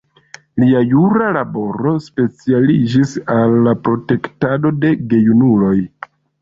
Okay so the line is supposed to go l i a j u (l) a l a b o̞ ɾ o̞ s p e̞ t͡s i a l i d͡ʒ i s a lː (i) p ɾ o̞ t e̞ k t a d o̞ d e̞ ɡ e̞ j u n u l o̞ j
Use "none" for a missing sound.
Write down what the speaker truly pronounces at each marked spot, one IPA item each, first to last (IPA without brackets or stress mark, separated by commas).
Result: ɾ, a